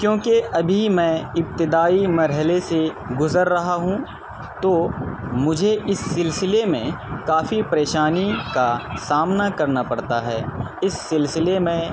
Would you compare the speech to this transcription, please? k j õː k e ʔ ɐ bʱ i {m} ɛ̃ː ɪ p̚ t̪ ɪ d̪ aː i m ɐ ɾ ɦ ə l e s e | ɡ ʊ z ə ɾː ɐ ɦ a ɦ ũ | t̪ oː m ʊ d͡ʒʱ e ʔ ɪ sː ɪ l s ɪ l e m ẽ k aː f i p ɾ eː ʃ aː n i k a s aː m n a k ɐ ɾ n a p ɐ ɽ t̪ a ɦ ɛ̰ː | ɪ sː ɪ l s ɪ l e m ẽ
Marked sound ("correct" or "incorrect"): correct